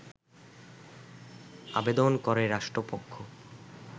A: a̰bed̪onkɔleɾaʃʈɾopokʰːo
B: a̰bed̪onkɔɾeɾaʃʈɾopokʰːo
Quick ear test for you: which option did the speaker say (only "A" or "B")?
B